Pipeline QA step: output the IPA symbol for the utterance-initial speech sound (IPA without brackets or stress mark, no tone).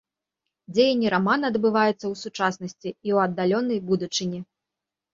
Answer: d͡zʲ